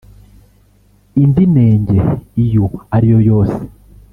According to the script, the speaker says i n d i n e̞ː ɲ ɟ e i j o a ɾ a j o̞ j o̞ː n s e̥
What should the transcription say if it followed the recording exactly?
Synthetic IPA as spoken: i n d i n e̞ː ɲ ɟ e i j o a ɾ i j o̞ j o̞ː s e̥